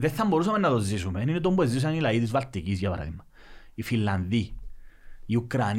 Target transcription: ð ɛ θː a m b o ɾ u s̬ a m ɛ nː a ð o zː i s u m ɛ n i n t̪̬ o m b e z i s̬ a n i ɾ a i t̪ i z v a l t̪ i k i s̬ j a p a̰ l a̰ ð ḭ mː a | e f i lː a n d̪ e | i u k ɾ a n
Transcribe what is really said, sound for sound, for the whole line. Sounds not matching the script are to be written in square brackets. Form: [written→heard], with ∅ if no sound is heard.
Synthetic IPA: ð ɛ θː a m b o ɾ u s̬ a m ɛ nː a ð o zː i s u m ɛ n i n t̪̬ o m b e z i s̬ a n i [ɾ→l] a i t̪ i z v a l t̪ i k i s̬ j a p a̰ [l→ɾ] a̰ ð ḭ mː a | [e→i] f i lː a n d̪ [e→i] | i u k ɾ a n